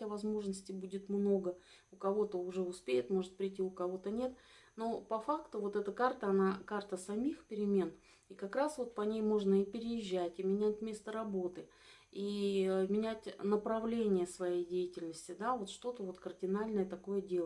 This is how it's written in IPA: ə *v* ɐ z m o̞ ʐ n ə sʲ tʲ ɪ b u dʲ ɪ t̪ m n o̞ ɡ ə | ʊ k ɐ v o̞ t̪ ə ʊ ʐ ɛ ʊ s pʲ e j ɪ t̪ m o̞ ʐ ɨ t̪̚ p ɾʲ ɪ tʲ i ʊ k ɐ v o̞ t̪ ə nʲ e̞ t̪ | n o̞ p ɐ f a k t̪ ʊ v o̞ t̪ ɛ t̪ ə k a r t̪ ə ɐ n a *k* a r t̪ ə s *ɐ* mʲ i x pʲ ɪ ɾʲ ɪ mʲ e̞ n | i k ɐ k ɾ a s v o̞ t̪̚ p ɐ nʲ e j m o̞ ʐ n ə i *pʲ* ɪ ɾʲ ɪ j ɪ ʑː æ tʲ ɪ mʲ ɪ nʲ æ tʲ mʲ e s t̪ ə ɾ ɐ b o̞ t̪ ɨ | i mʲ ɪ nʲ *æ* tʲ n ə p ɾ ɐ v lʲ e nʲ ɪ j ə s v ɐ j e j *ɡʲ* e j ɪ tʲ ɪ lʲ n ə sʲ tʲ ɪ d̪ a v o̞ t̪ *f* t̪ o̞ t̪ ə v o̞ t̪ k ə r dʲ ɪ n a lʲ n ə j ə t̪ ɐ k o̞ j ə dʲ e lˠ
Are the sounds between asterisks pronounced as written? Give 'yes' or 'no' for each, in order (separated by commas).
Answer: yes, yes, yes, yes, yes, no, no